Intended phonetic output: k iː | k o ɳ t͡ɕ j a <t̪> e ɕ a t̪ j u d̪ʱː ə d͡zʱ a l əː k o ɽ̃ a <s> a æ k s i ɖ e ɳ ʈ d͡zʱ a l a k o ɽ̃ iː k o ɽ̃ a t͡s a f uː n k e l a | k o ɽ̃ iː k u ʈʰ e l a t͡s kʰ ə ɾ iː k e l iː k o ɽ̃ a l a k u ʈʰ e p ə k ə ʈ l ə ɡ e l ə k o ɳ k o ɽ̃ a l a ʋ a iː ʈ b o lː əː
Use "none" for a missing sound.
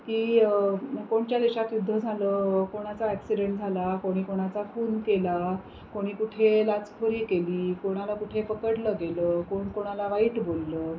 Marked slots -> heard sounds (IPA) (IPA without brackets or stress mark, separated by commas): d̪, t͡s